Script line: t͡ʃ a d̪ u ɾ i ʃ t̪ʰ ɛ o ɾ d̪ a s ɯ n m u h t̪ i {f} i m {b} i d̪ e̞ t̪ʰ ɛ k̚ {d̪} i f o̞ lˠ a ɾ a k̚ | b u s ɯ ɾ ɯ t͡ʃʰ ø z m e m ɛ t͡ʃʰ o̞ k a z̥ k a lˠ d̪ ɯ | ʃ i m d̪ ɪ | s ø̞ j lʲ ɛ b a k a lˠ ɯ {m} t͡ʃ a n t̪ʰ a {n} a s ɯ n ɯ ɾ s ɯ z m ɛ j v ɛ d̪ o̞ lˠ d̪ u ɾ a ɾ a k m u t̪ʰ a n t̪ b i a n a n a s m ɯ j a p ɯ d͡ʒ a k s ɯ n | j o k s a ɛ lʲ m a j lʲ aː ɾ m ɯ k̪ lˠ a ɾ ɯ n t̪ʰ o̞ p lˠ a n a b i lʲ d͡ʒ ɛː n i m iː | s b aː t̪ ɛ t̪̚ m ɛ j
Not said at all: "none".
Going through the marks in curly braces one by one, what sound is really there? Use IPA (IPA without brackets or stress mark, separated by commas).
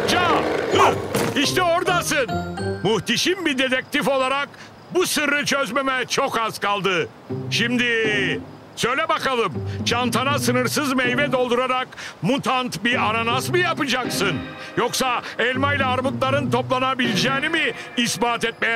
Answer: ʃ, b, t̪, m, n